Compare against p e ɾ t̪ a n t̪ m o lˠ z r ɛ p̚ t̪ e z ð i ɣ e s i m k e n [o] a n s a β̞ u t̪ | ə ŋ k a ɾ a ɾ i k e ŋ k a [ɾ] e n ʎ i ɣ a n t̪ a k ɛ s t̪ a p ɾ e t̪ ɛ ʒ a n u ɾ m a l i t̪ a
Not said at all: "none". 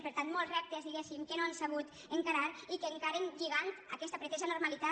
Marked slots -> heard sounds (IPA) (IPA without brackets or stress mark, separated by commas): o, ɾ